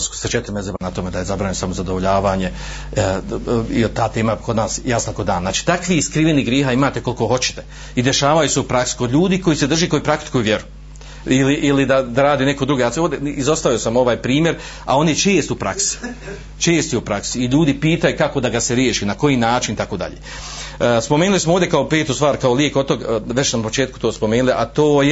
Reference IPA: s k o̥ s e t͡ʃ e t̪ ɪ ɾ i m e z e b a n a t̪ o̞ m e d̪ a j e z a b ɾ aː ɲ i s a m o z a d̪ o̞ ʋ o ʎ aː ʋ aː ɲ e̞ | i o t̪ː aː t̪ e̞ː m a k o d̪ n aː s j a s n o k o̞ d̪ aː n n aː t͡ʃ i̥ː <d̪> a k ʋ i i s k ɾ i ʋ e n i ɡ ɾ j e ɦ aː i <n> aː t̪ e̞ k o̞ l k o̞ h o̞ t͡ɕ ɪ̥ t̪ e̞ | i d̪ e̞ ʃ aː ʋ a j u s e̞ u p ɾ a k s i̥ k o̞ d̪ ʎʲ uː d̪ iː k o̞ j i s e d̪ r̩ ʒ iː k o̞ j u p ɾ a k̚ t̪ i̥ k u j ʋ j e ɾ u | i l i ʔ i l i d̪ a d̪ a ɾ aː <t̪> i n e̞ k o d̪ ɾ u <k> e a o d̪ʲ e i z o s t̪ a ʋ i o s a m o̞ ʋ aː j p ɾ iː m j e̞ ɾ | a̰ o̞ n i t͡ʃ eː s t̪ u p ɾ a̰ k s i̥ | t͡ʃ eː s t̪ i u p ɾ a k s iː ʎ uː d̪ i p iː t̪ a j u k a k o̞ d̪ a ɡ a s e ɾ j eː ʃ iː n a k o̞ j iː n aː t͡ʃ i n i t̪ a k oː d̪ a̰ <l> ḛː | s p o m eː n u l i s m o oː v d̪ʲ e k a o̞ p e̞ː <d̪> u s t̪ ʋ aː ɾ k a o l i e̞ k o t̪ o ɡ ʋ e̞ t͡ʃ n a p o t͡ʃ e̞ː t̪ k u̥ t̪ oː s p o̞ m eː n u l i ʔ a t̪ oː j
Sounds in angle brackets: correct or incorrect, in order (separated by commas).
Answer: incorrect, incorrect, incorrect, incorrect, incorrect, incorrect